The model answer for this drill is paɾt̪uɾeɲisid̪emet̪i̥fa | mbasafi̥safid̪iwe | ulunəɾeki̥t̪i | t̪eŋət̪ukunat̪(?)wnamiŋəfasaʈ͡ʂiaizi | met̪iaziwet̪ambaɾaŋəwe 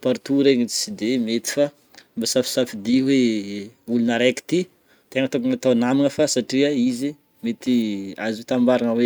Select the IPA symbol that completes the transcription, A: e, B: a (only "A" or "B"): B